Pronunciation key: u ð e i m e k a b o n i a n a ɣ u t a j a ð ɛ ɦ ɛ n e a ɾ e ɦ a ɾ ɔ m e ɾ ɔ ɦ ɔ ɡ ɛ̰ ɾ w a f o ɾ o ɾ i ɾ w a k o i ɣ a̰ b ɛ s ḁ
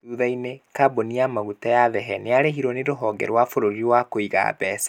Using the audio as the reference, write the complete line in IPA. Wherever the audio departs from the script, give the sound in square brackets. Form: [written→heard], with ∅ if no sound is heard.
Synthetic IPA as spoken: u ð [e→a] i [m→n] e k a b o n i a [n→m] a ɣ u t a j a ð ɛ ɦ ɛ n e a ɾ e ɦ [a→i] ɾ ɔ [m→n] e ɾ [ɔ→o] ɦ ɔ ɡ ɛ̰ ɾ w a f o ɾ o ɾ i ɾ w a k o i ɣ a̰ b ɛ s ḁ